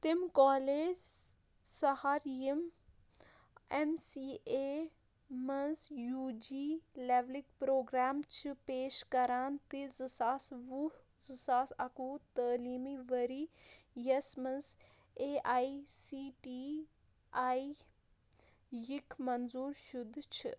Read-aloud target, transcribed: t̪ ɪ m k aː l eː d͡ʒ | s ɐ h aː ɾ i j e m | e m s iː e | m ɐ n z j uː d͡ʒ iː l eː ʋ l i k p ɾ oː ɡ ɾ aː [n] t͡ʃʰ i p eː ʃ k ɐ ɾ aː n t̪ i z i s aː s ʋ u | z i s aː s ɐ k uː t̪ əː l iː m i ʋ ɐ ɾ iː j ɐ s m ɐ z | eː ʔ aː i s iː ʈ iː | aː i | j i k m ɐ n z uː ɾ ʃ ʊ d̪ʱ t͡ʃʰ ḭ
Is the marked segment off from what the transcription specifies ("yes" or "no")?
yes